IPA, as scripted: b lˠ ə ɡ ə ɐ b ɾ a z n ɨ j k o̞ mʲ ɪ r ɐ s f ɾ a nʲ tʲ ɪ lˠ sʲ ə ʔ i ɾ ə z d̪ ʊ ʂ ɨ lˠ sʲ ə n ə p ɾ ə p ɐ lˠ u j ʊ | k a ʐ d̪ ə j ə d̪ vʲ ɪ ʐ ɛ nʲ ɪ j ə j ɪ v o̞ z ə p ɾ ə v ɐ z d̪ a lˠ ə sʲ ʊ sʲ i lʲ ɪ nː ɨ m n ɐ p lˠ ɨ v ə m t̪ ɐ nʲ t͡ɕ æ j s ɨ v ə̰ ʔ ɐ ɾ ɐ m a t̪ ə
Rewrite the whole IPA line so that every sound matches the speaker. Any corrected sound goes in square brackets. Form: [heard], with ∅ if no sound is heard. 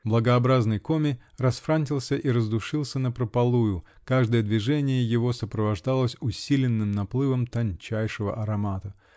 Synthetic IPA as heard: b lˠ ə ɡ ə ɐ b ɾ a z n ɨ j k o̞ mʲ ɪ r ɐ s f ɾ a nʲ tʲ ɪ lˠ sʲ ə ʔ i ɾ ə z d̪ ʊ ʂ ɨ lˠ sʲ ə n ə p ɾ ə p ɐ lˠ u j ʊ | k a ʐ d̪ ə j ə d̪ vʲ ɪ ʐ ɛ nʲ ɪ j ə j ɪ v o̞ [s] ə p ɾ ə v ɐ [ʐ] d̪ a lˠ ə sʲ ʊ sʲ i lʲ ɪ nː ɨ m n ɐ p lˠ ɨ v ə m t̪ ɐ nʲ t͡ɕ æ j [ʂ] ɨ v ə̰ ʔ ɐ ɾ ɐ m a t̪ ə